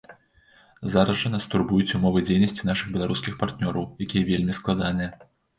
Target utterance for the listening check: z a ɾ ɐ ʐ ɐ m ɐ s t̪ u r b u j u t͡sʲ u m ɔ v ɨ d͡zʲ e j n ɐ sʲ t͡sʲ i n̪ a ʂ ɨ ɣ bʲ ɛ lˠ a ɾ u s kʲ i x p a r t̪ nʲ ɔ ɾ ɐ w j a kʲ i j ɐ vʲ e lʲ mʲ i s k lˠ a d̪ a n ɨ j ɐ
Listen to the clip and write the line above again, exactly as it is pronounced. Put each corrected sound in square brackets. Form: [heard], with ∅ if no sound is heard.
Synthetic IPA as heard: z a ɾ ɐ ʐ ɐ [n] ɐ s t̪ u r b u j u t͡sʲ u m ɔ v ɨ d͡zʲ e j n ɐ sʲ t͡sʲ i n̪ a ʂ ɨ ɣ bʲ ɛ lˠ a ɾ u s kʲ i x p a r t̪ nʲ ɔ ɾ ɐ w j a kʲ i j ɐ vʲ e lʲ mʲ i s k lˠ a d̪ a n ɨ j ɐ